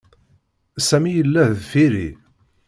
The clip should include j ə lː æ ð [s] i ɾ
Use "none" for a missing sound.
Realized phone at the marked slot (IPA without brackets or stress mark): f